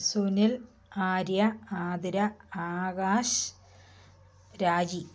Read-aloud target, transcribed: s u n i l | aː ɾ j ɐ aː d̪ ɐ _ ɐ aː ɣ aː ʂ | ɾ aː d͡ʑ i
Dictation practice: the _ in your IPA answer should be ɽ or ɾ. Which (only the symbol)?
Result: ɾ